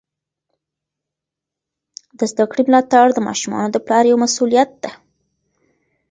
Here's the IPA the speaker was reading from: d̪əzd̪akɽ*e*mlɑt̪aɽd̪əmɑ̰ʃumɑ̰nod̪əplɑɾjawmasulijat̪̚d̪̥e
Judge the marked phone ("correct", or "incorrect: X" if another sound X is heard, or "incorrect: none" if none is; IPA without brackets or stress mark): incorrect: i